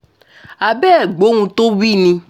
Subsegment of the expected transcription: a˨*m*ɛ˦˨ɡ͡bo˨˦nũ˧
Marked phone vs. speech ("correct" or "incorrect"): incorrect